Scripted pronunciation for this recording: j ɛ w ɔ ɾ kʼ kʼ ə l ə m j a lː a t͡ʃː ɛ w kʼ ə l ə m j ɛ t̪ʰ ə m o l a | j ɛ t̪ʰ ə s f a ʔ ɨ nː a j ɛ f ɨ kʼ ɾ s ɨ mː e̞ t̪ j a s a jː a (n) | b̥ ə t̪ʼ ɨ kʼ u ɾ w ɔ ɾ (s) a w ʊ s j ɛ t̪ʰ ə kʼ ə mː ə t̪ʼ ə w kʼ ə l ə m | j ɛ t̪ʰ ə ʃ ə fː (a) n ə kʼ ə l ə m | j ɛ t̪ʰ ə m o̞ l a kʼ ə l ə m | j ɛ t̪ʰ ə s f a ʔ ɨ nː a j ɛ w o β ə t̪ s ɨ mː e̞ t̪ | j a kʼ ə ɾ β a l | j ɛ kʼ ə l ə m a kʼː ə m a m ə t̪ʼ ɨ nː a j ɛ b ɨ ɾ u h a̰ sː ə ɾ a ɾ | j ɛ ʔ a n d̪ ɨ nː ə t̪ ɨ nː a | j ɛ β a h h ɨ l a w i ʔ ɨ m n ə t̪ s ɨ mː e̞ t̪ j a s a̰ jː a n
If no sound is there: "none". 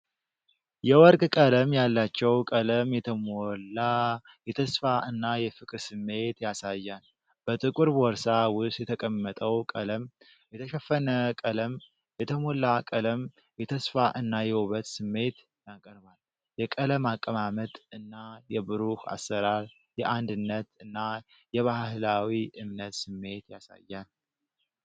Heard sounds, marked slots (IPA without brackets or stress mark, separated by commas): n, s, ə